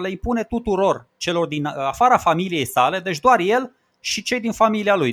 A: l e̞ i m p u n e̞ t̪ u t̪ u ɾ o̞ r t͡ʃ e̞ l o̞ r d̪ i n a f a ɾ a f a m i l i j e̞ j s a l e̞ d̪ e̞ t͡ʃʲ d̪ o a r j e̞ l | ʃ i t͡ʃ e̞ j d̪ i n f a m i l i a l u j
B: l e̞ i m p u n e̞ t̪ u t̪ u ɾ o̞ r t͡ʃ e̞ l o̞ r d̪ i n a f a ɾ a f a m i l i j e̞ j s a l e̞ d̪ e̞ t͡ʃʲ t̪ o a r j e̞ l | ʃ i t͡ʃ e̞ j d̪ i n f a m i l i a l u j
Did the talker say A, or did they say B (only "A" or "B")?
A